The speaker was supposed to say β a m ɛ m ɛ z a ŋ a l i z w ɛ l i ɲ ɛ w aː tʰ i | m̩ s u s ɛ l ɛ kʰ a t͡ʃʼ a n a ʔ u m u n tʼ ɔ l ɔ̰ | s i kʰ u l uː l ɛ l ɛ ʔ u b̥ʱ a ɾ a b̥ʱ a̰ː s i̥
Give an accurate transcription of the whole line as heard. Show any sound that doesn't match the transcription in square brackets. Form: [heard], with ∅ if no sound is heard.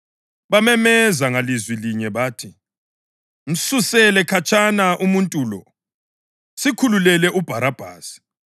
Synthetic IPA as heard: β a m ɛ m ɛ z a ŋ a l i z w [i] l i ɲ ɛ [β] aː tʰ i | m̩ s u s ɛ l ɛ kʰ a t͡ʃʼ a n a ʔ u m u n tʼ [u] l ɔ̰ | s i kʰ u l [u] l ɛ l ɛ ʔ u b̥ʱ a ɾ a b̥ʱ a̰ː s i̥